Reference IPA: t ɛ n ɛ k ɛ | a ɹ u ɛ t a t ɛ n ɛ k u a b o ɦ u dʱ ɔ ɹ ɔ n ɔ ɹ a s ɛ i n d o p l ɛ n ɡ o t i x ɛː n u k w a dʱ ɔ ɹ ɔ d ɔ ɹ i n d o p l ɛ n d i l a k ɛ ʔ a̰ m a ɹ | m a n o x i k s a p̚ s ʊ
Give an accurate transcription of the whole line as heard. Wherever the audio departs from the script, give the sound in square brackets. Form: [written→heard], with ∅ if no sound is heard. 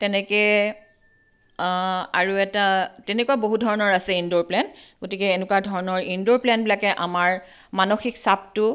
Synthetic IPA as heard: t ɛ n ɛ k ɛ | a ɹ u ɛ t a t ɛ n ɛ k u a b o ɦ u dʱ ɔ ɹ ɔ n ɔ ɹ a s ɛ i n d o p l ɛ n ɡ o t i [x→k] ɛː n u k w a dʱ ɔ ɹ ɔ [d→n] ɔ ɹ i n d o p l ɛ n [d→b] i l a k ɛ ʔ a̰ m a ɹ | m a n o x i k s a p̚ [s→t] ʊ